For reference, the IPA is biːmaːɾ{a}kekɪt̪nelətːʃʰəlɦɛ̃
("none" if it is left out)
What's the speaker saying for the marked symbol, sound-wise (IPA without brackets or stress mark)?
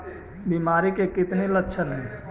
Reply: i